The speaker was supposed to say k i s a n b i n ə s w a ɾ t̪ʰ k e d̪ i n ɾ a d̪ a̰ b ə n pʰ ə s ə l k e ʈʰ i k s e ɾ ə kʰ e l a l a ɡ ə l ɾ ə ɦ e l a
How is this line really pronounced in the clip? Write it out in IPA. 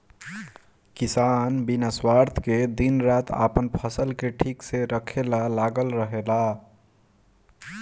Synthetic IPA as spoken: k i s a n b i n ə s w a ɾ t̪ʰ k e d̪ i n ɾ a t̪ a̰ p ə n pʰ ə s ə l k e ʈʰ i k s e ɾ ə kʰ e l a l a ɡ ə l ɾ ə ɦ e l a